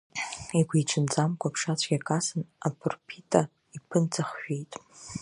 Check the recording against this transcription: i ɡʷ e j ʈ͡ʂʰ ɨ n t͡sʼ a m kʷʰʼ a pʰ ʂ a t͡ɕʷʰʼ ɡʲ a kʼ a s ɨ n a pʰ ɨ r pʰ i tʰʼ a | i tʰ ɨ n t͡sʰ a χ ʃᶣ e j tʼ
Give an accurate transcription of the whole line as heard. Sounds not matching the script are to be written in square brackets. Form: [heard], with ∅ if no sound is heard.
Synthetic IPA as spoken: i ɡʷ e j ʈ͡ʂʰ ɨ n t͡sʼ a m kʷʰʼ a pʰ ʂ a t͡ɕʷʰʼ ɡʲ a kʼ a s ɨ n a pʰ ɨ r pʰ i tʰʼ a | i [pʰ] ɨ n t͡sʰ a χ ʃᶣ e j tʼ